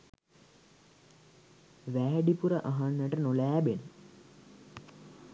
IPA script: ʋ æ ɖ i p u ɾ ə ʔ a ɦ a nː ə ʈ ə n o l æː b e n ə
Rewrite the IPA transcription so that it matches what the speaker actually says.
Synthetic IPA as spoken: ʋ æː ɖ i p u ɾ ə ʔ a ɦ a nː ə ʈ ə n o l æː b e n ə